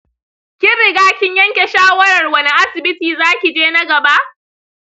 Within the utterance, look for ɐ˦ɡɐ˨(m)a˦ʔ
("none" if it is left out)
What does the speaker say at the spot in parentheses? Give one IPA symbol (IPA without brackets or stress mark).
b